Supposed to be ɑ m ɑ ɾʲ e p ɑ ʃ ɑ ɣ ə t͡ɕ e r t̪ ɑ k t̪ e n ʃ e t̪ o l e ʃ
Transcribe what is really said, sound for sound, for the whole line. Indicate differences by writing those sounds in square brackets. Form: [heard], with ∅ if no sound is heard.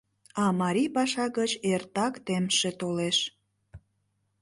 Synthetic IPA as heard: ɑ m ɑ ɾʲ [i] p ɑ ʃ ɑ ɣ ə t͡ɕ e r t̪ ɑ k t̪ e [m] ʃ e t̪ o l e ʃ